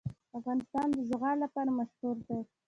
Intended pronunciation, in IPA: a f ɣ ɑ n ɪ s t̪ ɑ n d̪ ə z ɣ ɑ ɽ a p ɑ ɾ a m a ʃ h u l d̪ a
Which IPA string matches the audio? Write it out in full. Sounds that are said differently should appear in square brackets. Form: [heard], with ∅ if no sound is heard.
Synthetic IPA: a f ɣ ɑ n ɪ s t̪ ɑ n d̪ ə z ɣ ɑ [l] a p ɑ ɾ a m a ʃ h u [ɾ] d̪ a